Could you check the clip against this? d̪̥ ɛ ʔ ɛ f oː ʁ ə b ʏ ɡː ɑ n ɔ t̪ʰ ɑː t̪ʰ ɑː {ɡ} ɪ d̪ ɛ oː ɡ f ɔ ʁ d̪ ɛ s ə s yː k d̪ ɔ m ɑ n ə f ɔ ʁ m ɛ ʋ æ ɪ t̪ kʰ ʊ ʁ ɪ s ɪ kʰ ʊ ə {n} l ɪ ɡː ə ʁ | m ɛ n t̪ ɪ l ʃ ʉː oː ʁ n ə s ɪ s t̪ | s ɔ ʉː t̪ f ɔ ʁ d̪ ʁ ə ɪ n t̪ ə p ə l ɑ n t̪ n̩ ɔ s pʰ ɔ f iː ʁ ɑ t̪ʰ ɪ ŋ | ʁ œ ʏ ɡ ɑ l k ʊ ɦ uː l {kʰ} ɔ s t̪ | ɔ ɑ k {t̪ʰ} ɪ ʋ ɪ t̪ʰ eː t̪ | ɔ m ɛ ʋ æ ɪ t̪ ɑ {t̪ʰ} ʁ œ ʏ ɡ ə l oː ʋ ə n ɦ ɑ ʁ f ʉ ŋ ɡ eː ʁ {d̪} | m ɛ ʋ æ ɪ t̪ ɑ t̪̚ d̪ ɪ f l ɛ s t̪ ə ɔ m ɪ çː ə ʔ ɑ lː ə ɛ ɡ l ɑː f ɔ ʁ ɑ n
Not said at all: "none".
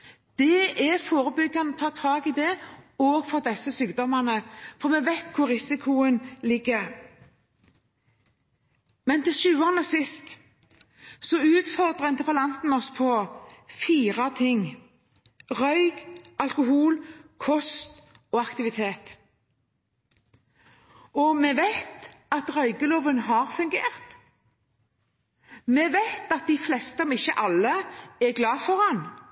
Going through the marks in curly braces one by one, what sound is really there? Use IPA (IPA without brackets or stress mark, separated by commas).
ɡ, n, kʰ, t̪, t̪, t̪